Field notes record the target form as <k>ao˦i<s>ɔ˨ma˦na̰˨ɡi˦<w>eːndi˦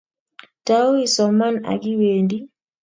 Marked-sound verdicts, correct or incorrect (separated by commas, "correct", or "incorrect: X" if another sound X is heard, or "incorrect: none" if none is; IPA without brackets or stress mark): incorrect: t, correct, correct